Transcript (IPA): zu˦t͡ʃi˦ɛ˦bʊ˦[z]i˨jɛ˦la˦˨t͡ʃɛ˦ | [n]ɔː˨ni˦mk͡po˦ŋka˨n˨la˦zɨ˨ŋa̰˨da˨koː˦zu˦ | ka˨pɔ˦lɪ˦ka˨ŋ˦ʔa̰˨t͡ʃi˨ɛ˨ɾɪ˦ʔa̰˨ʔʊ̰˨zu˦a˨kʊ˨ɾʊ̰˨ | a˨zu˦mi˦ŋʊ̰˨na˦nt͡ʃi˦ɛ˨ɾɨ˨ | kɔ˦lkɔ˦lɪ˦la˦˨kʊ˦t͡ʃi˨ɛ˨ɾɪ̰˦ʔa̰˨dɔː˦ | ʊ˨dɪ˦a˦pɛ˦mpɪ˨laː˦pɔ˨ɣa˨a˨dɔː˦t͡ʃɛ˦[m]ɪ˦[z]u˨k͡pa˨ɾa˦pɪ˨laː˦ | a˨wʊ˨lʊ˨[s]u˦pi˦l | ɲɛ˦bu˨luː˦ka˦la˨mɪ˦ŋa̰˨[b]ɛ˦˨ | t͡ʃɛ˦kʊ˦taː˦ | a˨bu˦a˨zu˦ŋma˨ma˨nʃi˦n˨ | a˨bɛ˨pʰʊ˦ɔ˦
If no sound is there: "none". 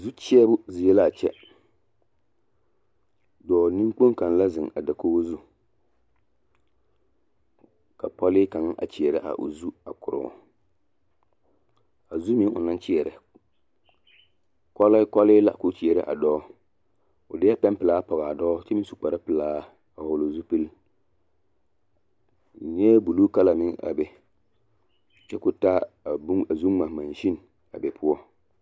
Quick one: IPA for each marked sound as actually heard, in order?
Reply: z, d, m, s, z, b

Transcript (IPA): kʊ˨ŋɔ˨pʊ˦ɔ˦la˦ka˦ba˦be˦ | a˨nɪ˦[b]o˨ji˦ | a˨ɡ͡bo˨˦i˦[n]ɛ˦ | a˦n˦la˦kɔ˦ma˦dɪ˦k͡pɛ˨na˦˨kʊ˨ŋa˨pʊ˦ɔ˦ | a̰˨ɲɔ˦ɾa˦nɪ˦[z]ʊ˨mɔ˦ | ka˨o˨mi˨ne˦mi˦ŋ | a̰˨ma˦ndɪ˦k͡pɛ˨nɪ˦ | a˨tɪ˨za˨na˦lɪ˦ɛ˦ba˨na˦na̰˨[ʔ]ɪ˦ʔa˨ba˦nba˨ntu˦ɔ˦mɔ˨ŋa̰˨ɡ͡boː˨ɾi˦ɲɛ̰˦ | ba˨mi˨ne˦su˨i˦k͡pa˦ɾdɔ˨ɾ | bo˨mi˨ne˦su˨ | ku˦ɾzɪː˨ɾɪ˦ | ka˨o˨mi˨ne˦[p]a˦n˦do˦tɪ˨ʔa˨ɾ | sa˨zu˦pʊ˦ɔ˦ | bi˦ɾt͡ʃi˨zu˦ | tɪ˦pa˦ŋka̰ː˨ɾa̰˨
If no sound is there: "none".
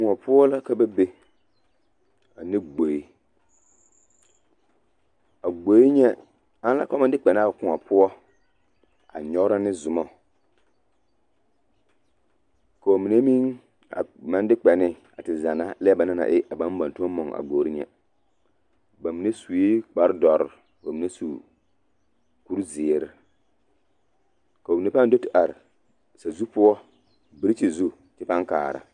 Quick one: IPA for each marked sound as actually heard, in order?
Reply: ɡ͡b, ɲ, z, ʔ, p

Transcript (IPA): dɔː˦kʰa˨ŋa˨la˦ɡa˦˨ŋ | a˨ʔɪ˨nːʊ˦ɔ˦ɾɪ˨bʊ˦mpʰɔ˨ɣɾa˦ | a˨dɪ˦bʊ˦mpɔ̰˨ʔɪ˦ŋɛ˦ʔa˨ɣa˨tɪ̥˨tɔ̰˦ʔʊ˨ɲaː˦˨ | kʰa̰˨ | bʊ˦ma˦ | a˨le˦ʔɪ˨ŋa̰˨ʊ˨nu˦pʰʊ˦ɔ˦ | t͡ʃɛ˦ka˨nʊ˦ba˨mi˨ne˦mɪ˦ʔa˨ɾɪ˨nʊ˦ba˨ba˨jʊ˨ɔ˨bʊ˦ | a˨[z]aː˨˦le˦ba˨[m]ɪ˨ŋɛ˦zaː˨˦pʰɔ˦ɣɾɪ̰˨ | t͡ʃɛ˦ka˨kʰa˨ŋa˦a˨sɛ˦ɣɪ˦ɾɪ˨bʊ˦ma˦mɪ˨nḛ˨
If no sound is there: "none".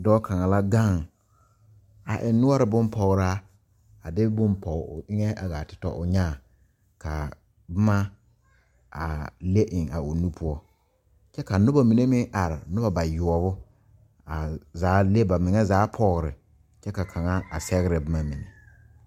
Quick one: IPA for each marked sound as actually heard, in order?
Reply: z, m

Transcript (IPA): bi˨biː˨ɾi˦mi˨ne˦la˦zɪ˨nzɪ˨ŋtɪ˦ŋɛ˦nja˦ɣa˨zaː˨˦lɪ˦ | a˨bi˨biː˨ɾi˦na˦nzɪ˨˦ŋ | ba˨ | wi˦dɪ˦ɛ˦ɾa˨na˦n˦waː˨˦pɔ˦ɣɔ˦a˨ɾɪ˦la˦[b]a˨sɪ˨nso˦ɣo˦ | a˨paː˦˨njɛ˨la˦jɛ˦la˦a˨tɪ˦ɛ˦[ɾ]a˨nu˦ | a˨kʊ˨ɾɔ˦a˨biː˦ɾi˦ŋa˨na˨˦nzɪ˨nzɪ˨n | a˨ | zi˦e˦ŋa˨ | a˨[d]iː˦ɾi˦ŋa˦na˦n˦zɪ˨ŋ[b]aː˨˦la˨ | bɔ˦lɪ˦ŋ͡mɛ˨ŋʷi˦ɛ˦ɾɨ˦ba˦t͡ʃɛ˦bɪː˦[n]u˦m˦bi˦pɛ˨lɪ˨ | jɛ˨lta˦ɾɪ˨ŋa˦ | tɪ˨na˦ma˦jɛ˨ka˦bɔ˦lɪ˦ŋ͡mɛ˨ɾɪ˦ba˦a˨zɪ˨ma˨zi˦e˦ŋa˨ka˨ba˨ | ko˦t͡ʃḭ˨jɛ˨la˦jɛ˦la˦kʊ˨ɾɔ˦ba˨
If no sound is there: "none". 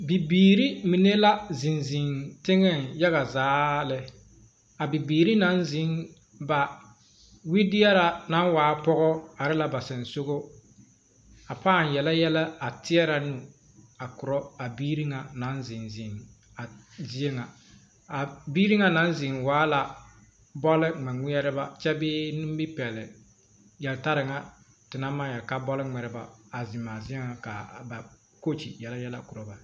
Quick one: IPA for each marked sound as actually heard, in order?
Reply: b, ɾ, b, w, n

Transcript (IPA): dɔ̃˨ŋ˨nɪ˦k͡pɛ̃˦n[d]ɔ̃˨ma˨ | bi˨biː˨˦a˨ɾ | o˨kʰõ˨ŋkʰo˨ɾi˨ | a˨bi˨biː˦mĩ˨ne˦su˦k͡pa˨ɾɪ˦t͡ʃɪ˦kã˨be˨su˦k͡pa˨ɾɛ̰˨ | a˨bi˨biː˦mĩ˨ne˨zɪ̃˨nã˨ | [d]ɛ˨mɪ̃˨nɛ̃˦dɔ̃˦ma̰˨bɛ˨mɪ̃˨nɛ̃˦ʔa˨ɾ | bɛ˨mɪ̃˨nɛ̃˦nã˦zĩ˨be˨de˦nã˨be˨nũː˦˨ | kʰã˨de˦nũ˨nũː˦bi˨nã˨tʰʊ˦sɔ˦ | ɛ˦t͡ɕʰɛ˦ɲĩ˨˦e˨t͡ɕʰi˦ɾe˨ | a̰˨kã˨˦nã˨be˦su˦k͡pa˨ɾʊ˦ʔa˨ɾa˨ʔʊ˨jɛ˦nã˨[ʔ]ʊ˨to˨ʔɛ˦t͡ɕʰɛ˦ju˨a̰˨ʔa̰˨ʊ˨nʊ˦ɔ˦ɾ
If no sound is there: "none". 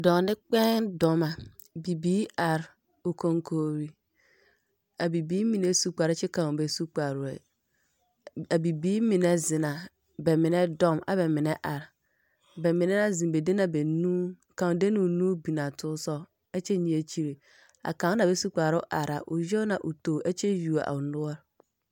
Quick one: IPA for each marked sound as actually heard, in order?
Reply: d, b, ʔ

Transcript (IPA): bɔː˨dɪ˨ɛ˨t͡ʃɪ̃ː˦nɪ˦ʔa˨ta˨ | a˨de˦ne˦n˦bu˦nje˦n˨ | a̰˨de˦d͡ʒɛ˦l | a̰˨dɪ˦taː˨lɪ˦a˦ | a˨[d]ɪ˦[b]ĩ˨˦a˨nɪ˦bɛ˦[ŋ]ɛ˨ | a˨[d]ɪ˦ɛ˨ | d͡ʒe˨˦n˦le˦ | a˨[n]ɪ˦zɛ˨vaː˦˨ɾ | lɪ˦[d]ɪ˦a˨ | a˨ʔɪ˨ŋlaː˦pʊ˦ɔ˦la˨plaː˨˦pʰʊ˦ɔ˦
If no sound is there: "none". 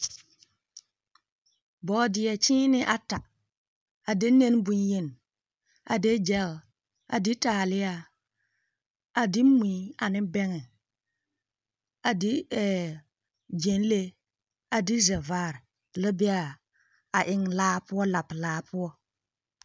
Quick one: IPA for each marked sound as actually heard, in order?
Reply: d, m, ŋ, d, d, b

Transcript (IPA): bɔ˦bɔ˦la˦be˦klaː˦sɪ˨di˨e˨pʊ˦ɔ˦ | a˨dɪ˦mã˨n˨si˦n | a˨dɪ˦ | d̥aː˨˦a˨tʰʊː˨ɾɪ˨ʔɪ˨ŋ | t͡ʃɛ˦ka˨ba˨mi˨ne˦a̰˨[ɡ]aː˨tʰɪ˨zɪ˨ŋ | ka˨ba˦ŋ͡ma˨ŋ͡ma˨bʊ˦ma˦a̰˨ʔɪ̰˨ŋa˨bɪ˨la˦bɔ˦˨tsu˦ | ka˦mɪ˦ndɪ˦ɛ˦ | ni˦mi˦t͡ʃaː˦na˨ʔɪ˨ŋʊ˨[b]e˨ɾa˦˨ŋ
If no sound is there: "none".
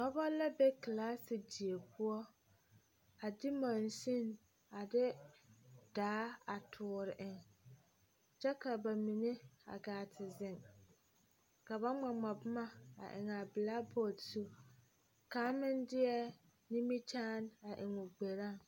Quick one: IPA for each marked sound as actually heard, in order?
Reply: ɡ, ɡ͡b

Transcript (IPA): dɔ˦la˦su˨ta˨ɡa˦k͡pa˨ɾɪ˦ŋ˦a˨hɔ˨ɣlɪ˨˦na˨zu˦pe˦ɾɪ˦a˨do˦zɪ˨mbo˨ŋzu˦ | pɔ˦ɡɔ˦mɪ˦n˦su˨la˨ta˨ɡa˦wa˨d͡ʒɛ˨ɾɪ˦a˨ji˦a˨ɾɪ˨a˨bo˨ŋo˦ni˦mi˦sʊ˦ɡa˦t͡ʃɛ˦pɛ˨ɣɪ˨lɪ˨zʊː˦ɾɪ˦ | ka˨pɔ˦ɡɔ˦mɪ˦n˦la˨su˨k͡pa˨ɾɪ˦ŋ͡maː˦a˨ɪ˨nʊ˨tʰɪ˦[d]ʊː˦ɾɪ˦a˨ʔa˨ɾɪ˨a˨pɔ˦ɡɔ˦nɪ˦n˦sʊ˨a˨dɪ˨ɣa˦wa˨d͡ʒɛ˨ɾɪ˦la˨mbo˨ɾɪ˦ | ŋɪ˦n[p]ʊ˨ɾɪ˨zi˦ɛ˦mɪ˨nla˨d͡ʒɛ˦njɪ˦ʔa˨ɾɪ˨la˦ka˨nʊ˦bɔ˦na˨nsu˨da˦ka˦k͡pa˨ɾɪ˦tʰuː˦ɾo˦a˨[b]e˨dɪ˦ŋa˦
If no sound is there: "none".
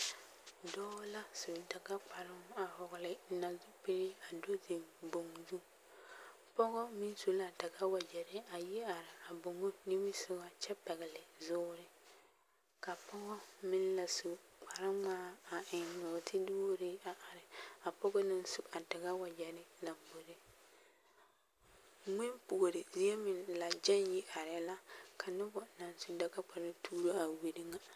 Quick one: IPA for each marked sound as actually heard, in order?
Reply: d, p, w

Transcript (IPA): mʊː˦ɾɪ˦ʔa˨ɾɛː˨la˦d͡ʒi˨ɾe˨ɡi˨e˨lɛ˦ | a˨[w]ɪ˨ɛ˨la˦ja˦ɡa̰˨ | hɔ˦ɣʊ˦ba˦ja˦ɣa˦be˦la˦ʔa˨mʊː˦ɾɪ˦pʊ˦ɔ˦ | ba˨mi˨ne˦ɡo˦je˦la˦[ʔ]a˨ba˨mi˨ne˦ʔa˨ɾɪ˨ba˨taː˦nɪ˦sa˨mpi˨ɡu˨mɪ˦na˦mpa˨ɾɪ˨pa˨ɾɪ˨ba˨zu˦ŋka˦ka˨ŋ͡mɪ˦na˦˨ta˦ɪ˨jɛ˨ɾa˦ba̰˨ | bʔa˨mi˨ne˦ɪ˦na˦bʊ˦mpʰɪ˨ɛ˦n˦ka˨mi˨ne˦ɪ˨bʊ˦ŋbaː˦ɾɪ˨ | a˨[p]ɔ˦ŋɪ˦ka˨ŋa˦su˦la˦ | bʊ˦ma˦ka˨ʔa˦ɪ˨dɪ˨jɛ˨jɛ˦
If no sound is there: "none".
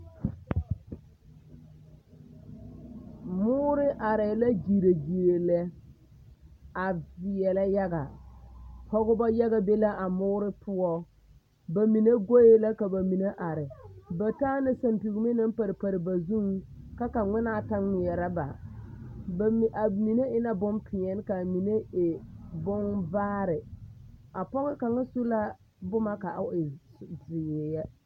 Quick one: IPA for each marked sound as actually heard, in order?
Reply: v, k, p

